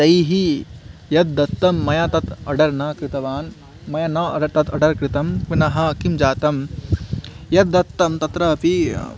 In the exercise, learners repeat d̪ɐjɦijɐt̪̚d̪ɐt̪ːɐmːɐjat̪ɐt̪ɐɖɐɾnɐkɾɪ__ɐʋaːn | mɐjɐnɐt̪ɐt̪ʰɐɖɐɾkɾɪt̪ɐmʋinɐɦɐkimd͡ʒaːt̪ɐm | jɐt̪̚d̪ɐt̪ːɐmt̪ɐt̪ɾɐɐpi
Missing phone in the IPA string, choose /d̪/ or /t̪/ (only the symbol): t̪